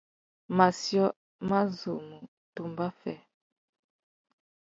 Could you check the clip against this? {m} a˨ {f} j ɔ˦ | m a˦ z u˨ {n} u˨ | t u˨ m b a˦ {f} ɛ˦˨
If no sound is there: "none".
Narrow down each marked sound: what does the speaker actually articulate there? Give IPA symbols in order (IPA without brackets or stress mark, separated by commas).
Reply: m, s, m, f